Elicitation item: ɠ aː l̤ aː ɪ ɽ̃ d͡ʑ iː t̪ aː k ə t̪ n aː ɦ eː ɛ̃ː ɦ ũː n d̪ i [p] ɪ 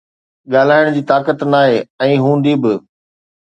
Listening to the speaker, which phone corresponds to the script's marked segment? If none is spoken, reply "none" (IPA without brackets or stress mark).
b